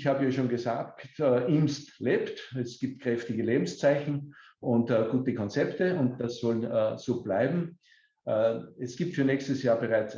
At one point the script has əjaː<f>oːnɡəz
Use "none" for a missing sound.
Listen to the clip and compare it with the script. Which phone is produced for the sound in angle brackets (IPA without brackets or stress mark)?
ʃ